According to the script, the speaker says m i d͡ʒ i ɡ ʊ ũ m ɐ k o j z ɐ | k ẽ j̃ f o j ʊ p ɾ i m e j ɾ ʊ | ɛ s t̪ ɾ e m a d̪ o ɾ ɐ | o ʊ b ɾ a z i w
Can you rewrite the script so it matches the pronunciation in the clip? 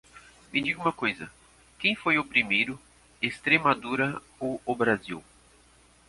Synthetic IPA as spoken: m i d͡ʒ i ɡ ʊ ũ m ɐ k o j z ɐ | k ẽ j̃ f o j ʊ p ɾ i m e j ɾ ʊ | e s t̪ ɾ e m a d̪ u ɾ ɐ | o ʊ b ɾ a z i w

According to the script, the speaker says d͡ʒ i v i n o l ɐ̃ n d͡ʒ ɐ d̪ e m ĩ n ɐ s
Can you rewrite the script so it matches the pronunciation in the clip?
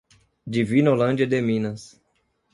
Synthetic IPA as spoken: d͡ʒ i v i n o l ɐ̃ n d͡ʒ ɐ d̪ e m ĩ n ɐ s

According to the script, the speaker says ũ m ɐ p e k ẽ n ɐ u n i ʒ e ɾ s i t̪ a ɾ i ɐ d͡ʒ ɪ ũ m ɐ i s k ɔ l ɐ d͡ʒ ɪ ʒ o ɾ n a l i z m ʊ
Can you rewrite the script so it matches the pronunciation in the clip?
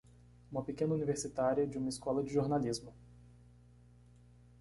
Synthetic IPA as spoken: ũ m ɐ p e k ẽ n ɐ u n i v e ɾ s i t̪ a ɾ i ɐ d͡ʒ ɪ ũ m ɐ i s k ɔ l ɐ d͡ʒ ɪ ʒ o ɾ n a l i z m ʊ

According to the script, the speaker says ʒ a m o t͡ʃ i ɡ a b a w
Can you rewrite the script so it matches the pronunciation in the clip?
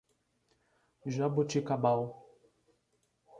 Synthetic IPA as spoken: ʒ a b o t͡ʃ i k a b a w

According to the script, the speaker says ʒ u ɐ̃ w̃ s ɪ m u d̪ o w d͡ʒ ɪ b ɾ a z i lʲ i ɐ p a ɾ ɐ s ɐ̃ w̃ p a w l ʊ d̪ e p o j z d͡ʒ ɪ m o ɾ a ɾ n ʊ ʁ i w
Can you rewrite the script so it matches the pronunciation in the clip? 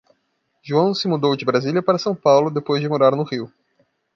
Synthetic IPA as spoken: ʒ u ɐ̃ w̃ s ɪ m u d̪ o w d͡ʒ ɪ b ɾ a z i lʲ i ɐ p a ɾ ɐ s ɐ̃ w̃ p a w l ʊ d̪ e p o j z d͡ʒ ɪ m o ɾ a ɾ n ʊ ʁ i w

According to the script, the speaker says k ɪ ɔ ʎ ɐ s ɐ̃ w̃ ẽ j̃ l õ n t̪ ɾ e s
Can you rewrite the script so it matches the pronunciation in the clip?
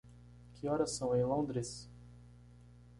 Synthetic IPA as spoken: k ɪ ɔ ɾ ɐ s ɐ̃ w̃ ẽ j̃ l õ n d̪ ɾ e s

